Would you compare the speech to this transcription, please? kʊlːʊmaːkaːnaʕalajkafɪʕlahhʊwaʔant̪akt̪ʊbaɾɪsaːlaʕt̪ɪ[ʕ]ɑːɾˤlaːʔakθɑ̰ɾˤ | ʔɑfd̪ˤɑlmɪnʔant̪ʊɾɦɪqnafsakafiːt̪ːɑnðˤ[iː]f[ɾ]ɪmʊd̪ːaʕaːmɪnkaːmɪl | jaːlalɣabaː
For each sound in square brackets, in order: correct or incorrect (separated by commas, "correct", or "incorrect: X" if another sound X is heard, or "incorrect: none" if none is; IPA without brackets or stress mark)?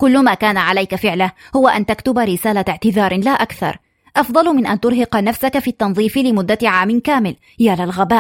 incorrect: ð, correct, incorrect: l